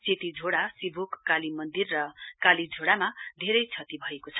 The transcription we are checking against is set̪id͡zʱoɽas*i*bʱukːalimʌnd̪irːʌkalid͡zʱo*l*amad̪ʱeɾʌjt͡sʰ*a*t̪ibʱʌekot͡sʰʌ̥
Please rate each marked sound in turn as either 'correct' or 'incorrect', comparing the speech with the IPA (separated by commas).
correct, incorrect, incorrect